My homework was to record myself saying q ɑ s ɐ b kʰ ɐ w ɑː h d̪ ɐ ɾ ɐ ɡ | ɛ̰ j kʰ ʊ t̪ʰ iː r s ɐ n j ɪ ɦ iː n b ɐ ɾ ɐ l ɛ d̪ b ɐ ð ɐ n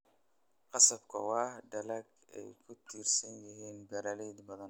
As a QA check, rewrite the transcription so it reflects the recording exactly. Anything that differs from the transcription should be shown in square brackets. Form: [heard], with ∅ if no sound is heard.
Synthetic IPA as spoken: q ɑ s ɐ b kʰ ɐ w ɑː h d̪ ɐ [l] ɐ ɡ | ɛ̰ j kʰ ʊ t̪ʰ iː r s ɐ n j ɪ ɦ iː n b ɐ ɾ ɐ l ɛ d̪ b ɐ ð ɐ n